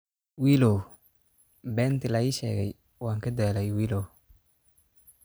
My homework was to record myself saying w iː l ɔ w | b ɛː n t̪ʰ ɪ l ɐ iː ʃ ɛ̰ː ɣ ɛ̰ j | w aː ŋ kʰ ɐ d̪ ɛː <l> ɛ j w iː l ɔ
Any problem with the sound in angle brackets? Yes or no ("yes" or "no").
no